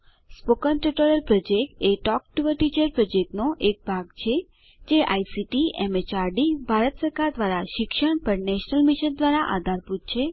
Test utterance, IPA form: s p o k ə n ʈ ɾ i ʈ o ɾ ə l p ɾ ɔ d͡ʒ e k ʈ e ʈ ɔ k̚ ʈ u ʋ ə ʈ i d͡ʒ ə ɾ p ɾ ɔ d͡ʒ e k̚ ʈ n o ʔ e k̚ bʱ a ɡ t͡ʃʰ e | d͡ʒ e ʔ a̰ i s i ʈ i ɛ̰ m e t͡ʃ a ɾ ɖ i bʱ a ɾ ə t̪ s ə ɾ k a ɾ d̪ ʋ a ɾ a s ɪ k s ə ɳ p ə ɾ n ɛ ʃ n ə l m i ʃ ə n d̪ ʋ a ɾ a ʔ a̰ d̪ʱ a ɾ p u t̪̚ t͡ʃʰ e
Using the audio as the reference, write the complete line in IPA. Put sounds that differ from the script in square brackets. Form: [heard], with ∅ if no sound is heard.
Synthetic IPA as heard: s p o k ə n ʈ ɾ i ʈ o ɾ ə l p ɾ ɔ d͡ʒ e k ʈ e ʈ ɔ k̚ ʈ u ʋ ə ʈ i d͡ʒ ə ɾ p ɾ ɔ d͡ʒ e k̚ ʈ n o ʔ e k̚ bʱ a ɡ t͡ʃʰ e | d͡ʒ e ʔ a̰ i s i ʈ i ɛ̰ m e t͡ʃ a ɾ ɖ i bʱ a ɾ ə t̪ s ə ɾ k a ɾ d̪ ʋ a ɾ a [ʃ] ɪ k [ʃ] ə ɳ p ə ɾ n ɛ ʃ n ə l m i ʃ ə n d̪ ʋ a ɾ a ʔ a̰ d̪ʱ a ɾ p u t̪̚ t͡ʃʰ e